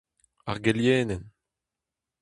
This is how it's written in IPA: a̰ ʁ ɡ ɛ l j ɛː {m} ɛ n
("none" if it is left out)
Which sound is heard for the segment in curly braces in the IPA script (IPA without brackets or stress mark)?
n